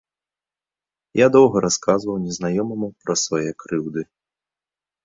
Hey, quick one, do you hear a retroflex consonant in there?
no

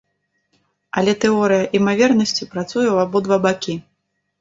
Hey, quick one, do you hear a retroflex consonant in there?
no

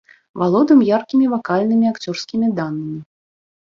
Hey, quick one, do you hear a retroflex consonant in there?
no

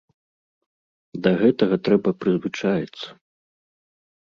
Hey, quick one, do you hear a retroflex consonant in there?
yes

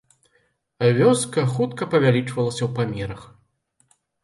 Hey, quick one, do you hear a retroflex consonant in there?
yes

